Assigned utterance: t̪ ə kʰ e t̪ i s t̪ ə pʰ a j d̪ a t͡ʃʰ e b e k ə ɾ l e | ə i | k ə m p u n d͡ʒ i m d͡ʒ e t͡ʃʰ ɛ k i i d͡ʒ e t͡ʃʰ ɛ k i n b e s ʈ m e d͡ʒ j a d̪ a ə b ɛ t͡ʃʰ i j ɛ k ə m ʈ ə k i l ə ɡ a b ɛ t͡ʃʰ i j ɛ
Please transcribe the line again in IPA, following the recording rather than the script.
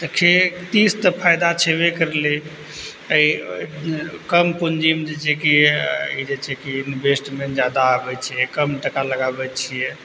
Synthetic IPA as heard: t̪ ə kʰ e t̪ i s t̪ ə pʰ a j d̪ a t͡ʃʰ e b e k ə ɾ l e | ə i | k ə m p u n d͡ʒ i m d͡ʒ e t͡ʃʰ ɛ k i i d͡ʒ e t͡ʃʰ ɛ k i n b e s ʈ m e d͡ʒ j a d̪ a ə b ɛ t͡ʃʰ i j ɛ k ə m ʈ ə k a l ə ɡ a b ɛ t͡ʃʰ i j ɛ